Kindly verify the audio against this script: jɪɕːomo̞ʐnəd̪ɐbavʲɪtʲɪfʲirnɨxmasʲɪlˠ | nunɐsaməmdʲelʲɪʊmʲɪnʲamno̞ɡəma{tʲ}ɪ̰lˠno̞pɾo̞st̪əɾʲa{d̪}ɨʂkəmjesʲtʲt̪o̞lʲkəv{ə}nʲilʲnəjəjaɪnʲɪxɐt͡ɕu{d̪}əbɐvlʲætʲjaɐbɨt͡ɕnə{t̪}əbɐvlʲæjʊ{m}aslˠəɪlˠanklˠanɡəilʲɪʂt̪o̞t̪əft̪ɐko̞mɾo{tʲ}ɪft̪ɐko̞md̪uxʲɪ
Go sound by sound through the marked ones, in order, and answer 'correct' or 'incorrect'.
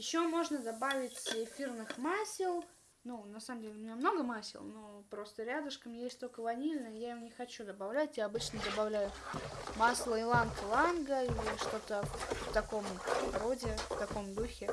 incorrect: sʲ, correct, incorrect: ɐ, correct, incorrect: d̪, correct, incorrect: dʲ

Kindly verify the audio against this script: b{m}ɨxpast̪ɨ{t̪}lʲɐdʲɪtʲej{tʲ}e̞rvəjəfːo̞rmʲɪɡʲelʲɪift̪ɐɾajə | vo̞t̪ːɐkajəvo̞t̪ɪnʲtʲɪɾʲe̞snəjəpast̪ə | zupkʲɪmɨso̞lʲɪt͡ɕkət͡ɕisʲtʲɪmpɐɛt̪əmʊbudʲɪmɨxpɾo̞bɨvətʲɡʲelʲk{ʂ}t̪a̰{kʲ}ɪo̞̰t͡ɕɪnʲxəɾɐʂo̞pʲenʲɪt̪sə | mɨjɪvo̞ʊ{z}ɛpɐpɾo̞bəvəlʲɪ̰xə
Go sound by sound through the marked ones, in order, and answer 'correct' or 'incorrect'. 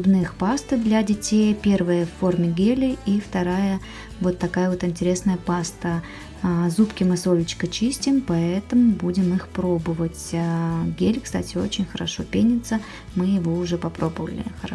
incorrect: n, incorrect: d̪, incorrect: pʲ, incorrect: s, incorrect: tʲ, incorrect: ʐ

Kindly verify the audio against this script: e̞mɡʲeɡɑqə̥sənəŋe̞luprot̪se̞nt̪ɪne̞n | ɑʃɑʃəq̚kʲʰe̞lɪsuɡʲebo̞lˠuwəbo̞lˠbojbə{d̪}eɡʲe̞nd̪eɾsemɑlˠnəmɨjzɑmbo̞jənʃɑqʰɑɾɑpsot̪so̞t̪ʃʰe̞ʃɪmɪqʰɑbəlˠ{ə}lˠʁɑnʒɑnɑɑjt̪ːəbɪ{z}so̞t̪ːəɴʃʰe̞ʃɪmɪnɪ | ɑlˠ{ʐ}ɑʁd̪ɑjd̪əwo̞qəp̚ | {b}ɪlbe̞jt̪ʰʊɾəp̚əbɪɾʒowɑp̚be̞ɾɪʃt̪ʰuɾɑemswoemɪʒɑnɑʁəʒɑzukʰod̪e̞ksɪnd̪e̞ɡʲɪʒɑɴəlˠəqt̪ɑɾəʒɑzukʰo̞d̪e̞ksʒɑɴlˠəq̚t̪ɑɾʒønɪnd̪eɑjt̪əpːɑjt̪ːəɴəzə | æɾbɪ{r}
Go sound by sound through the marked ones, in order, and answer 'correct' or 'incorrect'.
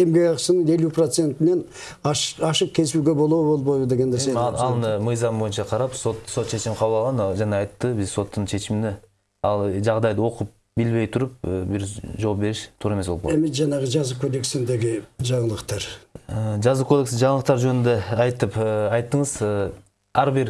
correct, incorrect: ɑ, correct, incorrect: ʒ, correct, incorrect: ɾ

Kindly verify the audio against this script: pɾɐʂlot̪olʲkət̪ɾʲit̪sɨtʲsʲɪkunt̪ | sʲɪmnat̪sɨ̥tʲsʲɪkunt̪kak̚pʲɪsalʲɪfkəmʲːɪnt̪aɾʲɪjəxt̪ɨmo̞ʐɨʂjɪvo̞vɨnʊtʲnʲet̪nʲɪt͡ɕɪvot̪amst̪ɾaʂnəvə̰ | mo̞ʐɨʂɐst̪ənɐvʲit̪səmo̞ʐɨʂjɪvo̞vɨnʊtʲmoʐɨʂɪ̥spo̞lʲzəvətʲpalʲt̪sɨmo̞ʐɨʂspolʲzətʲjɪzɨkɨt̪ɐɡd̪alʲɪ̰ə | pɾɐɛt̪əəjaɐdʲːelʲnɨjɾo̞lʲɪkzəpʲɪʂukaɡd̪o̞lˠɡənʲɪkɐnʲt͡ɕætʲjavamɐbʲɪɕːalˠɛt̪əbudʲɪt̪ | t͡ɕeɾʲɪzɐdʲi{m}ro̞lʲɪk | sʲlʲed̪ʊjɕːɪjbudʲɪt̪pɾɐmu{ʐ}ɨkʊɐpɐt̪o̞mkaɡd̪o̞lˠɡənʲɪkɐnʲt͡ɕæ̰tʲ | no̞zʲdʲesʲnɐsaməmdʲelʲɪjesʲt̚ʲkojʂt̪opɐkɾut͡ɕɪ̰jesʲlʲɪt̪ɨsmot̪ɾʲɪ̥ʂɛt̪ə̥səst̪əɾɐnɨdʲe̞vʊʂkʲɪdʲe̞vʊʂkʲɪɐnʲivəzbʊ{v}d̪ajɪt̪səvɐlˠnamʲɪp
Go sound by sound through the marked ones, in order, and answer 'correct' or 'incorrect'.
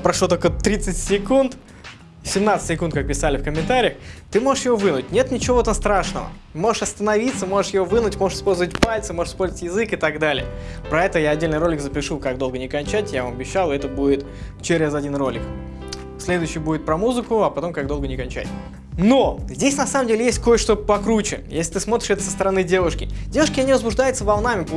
incorrect: n, incorrect: z, incorrect: ʐ

